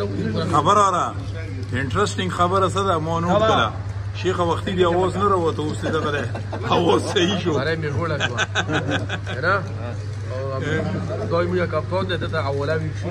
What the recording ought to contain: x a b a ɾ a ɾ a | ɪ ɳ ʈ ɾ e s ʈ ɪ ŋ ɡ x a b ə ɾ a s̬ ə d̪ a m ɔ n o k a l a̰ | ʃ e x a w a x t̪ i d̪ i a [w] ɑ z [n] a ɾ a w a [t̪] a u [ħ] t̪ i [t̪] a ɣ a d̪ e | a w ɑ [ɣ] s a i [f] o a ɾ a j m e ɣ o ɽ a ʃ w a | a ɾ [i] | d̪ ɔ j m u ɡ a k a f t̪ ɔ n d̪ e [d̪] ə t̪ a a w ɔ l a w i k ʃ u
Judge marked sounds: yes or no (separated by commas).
yes, yes, yes, no, no, no, no, no, yes